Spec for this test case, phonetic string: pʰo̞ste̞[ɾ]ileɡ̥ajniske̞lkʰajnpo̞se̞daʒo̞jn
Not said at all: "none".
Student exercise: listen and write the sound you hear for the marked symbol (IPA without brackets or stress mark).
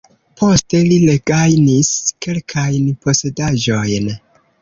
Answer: l